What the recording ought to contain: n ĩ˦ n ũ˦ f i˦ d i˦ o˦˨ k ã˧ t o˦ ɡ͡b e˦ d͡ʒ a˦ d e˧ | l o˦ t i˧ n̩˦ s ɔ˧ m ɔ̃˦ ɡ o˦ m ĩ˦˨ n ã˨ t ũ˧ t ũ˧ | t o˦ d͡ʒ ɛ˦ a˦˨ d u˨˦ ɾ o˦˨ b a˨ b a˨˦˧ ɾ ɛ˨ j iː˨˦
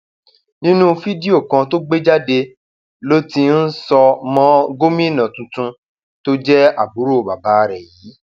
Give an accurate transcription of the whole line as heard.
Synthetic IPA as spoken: n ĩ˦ n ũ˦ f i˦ d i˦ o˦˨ k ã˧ t o˦ ɡ͡b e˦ d͡ʒ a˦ d e˧ | l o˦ t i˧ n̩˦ s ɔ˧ m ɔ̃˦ ɡ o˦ m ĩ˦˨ n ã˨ t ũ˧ t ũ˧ | t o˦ d͡ʒ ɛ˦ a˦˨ b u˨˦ ɾ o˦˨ b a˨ b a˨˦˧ ɾ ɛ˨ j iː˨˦